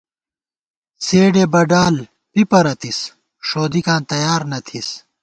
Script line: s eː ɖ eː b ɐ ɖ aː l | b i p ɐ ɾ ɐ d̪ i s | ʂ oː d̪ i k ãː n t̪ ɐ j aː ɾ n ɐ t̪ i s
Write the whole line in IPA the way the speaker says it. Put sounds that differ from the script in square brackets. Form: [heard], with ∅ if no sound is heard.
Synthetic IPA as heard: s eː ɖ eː b ɐ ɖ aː l | [p] i p ɐ ɾ ɐ [t̪] i s | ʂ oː d̪ i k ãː n t̪ ɐ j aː ɾ n ɐ [t̪ʰ] i s